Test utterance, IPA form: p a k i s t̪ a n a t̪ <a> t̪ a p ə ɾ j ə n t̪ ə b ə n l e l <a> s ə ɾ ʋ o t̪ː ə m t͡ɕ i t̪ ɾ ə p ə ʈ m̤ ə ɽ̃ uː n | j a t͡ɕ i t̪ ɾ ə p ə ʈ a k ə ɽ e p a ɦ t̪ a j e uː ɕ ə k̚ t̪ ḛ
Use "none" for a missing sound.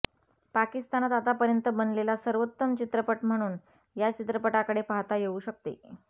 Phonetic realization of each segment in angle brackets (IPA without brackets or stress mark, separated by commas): a, a